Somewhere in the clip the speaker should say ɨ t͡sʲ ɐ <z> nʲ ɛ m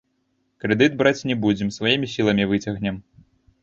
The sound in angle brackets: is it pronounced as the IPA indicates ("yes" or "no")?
no